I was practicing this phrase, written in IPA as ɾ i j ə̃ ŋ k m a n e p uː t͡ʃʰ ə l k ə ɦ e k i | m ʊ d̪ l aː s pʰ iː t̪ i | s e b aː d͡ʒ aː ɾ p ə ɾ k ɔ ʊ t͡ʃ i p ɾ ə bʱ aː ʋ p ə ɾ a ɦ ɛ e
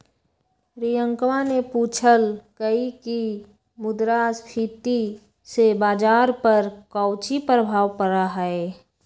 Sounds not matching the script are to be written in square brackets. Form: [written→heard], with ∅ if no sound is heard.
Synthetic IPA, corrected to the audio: ɾ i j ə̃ ŋ k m a n e p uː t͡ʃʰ ə l k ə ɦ [e→i] k i | m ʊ d̪ [l→ɾ] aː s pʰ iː t̪ i | s e b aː d͡ʒ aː ɾ p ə ɾ k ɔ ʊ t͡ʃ i p ɾ ə bʱ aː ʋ p ə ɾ a ɦ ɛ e